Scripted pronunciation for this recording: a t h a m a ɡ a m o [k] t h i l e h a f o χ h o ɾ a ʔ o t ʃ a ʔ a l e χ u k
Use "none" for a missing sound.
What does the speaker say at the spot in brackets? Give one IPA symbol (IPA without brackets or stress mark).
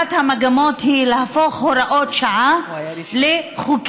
none